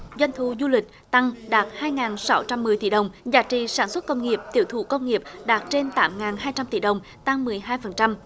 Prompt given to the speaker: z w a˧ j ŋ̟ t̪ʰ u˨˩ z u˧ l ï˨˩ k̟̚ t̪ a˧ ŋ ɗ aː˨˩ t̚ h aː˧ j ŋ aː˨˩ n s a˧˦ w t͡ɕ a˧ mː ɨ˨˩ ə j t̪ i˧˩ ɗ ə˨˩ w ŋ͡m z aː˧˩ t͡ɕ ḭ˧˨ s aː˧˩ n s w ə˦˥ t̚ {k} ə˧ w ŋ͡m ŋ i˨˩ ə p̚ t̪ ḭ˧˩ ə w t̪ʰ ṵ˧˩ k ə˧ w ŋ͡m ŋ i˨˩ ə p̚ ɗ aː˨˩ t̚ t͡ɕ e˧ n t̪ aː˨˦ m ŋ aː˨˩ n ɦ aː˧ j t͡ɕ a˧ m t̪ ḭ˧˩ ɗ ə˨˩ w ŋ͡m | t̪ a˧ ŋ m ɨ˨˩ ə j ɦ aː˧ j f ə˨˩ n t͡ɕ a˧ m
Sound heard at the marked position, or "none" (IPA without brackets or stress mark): k